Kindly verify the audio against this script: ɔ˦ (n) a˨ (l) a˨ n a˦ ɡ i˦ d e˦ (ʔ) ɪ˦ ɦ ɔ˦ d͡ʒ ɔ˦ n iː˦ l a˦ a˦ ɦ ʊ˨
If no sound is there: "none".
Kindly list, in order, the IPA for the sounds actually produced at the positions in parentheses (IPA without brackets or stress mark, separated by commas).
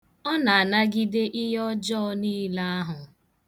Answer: n, none, ʔ